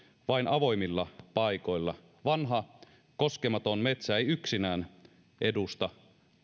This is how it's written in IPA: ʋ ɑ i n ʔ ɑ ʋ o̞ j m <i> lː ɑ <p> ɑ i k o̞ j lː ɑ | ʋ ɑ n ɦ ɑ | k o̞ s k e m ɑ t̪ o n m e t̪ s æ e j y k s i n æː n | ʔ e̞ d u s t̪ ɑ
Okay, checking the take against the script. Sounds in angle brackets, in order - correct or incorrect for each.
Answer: correct, correct

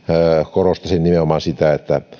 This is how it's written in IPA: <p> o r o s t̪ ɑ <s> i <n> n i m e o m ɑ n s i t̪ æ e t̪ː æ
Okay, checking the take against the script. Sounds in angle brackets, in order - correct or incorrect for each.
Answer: incorrect, correct, correct

